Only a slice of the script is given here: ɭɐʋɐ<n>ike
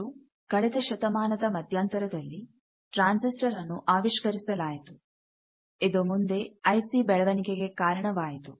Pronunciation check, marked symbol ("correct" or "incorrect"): correct